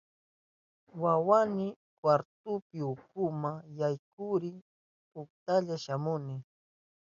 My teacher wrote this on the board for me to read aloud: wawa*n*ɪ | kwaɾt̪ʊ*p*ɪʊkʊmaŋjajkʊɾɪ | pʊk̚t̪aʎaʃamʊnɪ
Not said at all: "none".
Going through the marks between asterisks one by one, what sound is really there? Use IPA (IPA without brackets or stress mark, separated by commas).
n, p